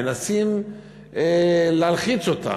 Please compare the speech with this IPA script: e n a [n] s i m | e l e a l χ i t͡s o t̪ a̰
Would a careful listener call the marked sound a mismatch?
yes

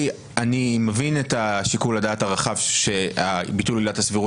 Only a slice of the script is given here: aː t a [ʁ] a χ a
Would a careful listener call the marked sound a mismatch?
no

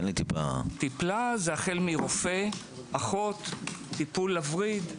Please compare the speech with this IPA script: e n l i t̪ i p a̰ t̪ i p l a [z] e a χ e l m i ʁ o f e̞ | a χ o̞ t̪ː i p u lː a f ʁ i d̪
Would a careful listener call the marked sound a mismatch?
no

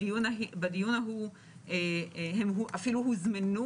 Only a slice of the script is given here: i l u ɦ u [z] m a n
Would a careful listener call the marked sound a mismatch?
no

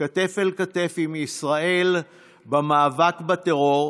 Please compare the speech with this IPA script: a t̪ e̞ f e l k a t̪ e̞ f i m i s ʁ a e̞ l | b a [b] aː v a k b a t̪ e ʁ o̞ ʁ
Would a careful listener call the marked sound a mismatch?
yes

